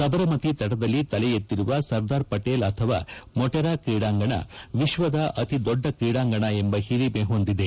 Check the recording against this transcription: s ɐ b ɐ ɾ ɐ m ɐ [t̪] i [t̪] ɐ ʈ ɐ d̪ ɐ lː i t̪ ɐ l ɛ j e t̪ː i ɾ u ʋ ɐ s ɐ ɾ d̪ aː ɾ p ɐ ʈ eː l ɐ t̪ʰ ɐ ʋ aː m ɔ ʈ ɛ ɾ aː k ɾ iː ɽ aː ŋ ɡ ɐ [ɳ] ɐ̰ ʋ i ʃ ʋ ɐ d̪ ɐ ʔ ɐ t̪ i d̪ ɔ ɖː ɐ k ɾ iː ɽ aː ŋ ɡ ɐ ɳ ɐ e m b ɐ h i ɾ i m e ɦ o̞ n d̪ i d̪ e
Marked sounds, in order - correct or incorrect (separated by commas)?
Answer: correct, correct, correct